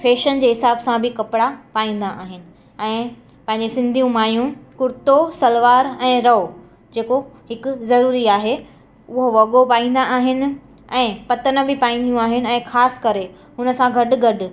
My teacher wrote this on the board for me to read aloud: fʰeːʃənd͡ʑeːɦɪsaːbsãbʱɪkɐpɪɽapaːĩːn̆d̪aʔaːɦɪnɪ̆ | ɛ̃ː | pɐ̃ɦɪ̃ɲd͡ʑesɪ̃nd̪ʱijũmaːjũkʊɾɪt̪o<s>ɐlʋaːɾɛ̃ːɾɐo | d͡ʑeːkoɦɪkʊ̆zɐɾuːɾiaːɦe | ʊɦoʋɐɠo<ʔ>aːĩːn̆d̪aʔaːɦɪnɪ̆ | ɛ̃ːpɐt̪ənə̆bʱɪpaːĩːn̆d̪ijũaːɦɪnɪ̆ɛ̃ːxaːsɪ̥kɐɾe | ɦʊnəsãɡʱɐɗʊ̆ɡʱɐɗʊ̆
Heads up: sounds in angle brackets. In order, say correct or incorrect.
correct, incorrect

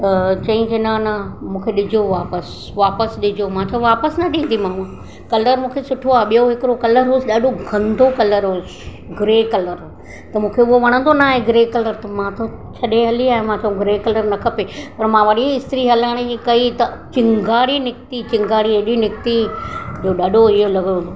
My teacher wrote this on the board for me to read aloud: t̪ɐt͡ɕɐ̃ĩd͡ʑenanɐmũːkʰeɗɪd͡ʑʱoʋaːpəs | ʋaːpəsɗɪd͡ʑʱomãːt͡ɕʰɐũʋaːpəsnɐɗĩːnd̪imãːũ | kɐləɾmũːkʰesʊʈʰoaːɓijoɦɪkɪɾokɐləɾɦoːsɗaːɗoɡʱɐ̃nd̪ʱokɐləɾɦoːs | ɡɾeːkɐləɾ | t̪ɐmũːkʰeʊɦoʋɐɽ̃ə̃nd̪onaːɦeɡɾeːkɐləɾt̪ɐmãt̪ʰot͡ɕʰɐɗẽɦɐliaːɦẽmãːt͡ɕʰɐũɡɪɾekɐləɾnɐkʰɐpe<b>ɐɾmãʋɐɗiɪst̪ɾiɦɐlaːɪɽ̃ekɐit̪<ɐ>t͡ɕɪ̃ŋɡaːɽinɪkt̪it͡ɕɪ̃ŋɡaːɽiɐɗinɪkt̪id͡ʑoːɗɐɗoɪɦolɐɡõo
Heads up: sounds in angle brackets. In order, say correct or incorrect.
incorrect, correct

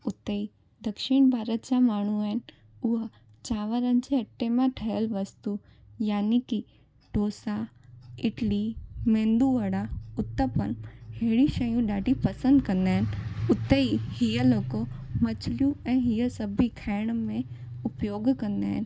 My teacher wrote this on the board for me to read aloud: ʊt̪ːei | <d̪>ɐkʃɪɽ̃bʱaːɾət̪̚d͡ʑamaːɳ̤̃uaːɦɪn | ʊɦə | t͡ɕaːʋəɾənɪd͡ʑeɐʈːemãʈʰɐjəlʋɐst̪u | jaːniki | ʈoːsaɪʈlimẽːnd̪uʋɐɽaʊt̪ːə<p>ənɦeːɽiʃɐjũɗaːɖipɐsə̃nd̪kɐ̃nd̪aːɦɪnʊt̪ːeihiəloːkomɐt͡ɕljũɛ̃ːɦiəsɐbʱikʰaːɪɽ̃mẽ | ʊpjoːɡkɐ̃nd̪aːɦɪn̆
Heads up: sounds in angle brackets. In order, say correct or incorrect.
correct, correct

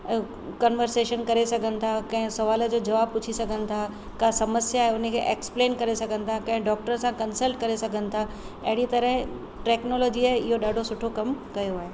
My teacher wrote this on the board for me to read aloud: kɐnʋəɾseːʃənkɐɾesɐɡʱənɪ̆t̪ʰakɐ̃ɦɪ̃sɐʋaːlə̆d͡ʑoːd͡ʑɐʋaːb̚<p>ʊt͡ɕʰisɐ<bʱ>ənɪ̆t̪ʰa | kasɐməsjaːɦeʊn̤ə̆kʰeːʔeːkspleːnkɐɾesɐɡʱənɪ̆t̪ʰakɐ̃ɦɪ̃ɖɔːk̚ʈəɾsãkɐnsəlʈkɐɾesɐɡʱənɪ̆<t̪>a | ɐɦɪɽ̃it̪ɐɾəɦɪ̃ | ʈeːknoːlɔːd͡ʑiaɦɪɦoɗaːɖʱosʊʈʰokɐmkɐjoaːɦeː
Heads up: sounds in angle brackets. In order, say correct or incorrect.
correct, incorrect, incorrect

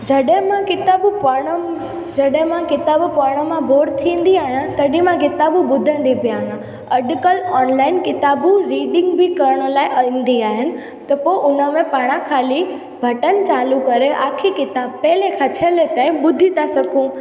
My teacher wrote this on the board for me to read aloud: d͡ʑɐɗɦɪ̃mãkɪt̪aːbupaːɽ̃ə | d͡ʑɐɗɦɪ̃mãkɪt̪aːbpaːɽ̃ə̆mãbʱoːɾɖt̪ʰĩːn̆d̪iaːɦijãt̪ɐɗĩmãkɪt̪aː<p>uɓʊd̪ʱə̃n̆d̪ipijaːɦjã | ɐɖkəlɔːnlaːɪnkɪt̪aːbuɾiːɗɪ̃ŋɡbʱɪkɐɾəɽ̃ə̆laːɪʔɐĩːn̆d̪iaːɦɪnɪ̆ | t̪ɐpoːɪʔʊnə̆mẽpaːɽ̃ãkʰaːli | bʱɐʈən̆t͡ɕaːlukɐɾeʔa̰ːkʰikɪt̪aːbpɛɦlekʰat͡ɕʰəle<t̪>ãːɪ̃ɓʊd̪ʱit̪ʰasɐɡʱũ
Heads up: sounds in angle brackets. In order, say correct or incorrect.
incorrect, correct

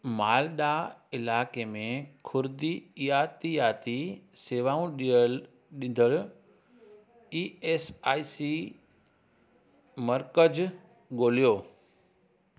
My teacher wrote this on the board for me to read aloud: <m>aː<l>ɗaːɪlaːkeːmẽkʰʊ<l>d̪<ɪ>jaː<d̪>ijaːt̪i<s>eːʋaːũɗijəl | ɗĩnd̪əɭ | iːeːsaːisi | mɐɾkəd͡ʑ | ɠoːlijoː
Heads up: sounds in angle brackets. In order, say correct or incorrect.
correct, correct, incorrect, incorrect, incorrect, correct

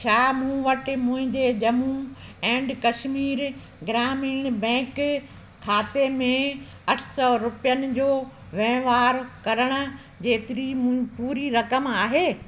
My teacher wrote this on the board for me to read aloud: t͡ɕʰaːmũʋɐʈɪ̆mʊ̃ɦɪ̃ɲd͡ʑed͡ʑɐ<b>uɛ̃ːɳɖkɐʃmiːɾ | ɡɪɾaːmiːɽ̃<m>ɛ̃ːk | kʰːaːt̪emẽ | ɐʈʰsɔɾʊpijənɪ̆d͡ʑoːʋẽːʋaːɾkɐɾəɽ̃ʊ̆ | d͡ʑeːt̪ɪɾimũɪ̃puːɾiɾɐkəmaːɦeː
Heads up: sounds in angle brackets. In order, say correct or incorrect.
incorrect, incorrect

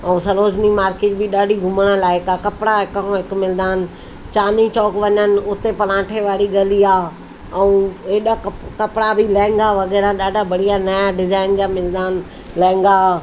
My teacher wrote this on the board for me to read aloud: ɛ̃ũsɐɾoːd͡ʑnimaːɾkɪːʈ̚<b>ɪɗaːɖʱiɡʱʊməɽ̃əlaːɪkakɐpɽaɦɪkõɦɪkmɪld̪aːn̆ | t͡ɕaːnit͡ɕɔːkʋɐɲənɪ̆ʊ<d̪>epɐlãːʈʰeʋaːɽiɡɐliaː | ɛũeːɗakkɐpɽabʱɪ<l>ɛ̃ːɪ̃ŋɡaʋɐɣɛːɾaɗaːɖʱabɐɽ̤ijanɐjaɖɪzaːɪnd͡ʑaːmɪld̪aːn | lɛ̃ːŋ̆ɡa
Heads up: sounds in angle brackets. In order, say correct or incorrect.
correct, incorrect, correct

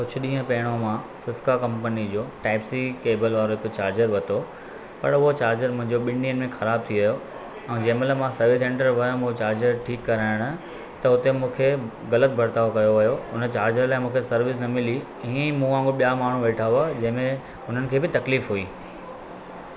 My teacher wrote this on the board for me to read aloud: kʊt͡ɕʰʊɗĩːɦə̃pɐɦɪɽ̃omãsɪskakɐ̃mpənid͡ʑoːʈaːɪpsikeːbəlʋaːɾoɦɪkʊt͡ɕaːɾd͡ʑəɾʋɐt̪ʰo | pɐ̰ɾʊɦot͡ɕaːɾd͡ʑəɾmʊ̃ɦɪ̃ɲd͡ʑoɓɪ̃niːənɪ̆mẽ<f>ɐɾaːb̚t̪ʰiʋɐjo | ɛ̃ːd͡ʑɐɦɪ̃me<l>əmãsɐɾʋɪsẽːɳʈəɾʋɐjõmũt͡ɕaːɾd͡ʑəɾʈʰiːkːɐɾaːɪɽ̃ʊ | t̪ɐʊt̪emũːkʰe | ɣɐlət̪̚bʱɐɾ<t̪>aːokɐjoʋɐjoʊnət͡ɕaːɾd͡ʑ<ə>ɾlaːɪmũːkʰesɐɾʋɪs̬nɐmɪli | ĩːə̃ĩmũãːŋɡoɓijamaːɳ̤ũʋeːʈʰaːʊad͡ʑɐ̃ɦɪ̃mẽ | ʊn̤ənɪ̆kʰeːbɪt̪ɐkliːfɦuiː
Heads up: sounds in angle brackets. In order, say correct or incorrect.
incorrect, correct, correct, correct

